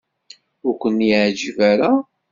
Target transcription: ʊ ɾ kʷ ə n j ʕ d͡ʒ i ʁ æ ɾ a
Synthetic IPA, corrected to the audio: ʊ ɾ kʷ ə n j ʕ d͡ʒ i v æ ɾ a